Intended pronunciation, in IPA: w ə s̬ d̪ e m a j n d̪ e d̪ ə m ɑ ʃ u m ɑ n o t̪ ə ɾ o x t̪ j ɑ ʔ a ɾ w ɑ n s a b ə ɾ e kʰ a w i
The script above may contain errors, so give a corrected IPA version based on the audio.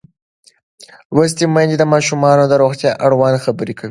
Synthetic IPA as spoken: w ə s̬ t̪ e m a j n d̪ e d̪ ə m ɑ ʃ u m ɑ n o d̪ ə ɾ o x t̪ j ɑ ʔ a ɽ w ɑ n x a b ə ɾ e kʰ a w i